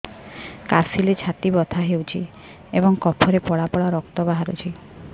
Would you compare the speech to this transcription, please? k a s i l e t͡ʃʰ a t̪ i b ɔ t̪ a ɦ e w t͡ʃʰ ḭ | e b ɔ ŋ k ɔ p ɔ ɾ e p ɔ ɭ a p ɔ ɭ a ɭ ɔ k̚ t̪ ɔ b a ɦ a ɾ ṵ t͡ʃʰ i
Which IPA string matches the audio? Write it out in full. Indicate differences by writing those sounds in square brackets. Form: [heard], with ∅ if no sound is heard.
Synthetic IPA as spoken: k a s i l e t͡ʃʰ a t̪ i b ɔ [t̪ʰ] a ɦ e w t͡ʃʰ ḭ | e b ɔ ŋ k ɔ [pʰ] ɔ ɾ e p ɔ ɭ a p ɔ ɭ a [ɾ] ɔ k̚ t̪ ɔ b a ɦ a ɾ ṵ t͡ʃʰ i